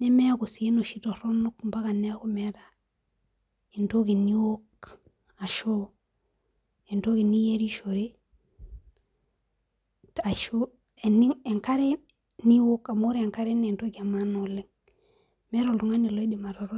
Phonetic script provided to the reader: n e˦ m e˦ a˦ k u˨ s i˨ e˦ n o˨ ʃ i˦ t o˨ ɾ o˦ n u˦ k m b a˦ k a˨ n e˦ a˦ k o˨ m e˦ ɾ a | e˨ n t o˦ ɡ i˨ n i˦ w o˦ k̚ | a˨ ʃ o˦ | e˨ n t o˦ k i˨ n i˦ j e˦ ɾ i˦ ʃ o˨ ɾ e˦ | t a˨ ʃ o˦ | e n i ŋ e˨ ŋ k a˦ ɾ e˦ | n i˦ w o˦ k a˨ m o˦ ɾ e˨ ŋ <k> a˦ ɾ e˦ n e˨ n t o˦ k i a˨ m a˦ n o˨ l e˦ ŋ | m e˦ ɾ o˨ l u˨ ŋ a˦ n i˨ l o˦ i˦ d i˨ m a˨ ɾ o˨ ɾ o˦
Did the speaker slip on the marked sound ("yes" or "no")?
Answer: no